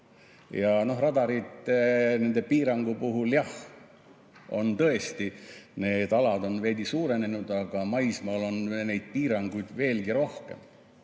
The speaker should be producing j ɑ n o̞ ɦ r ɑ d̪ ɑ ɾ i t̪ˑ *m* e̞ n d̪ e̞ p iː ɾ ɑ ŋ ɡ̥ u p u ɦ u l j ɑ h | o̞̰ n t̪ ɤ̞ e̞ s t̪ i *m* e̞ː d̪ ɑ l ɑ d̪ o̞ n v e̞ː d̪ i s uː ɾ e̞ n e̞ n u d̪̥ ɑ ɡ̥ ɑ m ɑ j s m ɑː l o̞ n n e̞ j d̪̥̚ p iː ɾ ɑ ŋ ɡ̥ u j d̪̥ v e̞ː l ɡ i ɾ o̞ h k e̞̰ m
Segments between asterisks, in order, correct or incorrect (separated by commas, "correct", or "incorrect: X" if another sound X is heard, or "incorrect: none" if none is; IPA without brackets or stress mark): incorrect: n, incorrect: n